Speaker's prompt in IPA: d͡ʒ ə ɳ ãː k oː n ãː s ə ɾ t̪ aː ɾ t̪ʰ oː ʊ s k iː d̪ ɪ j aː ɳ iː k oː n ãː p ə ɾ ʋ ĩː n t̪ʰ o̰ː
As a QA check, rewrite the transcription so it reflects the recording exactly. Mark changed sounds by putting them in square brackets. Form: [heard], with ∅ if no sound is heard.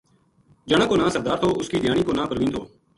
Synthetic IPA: d͡ʒ ə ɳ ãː k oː n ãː s ə ɾ [d̪] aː ɾ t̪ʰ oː ʊ s k iː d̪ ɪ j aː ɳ iː k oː n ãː p ə ɾ ʋ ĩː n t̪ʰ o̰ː